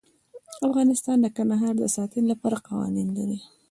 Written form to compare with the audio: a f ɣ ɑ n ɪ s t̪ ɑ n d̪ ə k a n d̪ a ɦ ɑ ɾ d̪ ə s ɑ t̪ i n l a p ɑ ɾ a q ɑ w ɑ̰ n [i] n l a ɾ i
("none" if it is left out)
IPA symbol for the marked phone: i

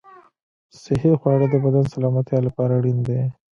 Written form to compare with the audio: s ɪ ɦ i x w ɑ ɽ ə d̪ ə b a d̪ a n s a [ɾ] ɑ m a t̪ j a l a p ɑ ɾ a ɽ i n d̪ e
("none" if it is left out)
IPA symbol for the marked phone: l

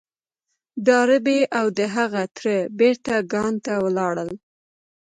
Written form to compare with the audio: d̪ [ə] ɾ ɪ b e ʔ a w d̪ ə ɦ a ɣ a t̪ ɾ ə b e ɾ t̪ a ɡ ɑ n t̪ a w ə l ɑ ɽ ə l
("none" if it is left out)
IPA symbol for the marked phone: ɑ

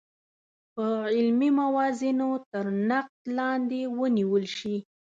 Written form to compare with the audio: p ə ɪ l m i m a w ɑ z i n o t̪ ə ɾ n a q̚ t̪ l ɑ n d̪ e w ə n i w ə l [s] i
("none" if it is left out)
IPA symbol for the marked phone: ʃ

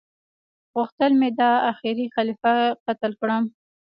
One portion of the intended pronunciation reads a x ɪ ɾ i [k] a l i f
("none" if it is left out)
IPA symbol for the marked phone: x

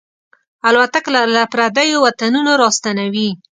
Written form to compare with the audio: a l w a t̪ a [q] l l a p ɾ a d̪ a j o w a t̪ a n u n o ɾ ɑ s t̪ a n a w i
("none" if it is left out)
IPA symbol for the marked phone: k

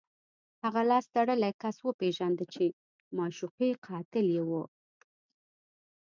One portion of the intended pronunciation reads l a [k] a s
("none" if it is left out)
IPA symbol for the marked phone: k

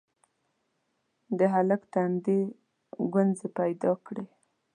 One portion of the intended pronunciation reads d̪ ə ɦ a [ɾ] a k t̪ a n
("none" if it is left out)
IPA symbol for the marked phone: l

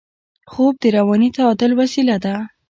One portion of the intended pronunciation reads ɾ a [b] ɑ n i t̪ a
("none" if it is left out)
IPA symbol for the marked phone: w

